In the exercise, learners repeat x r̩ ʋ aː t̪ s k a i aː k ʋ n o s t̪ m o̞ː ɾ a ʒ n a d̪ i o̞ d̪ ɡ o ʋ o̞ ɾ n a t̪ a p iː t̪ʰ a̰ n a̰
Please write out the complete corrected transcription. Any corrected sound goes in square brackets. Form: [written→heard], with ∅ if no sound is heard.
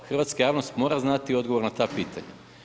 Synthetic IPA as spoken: x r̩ ʋ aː t̪ s k a [i→j] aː [k→∅] ʋ n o s t̪ m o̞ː ɾ a [ʒ→z] n a [d̪→t̪] i o̞ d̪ ɡ o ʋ o̞ ɾ n a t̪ a p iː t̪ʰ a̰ [n→ɲ] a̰